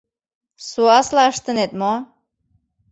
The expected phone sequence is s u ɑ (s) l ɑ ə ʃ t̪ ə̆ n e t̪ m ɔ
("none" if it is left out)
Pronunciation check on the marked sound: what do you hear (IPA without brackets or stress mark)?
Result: s